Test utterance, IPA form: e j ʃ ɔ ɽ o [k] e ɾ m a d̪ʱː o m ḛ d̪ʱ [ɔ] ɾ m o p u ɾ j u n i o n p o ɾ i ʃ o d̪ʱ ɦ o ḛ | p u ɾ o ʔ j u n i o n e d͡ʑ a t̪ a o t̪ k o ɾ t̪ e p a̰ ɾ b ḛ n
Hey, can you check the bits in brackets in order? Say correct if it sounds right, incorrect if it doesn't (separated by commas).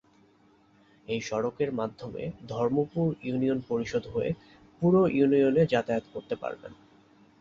correct, correct